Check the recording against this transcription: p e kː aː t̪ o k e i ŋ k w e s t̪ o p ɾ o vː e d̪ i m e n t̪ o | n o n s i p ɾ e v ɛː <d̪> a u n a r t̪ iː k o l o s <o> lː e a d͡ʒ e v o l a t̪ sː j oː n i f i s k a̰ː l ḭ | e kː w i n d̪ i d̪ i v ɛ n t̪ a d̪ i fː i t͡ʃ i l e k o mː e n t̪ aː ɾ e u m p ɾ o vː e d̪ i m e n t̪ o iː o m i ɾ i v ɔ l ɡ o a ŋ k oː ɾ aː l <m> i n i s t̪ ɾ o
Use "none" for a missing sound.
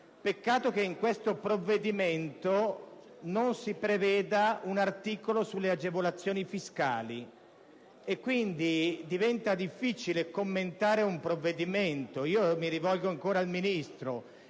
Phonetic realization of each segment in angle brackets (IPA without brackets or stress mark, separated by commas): d̪, u, m